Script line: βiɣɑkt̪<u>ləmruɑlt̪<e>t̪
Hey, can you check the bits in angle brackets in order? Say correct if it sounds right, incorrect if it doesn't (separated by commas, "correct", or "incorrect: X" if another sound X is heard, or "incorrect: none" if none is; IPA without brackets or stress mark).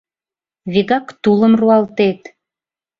correct, correct